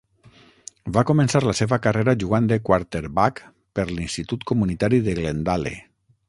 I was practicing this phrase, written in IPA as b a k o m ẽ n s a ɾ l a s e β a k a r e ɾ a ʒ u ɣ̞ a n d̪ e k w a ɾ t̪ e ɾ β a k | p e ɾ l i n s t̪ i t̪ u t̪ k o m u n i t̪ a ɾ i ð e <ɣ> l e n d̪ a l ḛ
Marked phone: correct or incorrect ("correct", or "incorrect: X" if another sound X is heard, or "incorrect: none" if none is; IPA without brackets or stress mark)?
correct